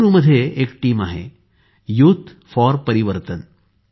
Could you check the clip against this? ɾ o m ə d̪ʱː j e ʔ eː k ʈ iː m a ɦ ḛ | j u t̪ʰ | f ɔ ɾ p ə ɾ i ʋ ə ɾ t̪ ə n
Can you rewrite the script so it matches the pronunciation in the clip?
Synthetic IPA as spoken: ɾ u m ə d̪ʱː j e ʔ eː k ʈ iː m a ɦ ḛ | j u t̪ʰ | f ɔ ɾ p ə ɾ i ʋ ə ɾ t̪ ə n